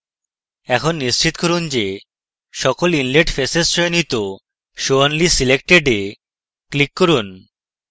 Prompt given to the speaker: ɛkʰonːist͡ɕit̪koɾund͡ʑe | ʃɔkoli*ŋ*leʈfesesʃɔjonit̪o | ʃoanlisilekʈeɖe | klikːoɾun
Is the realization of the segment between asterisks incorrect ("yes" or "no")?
yes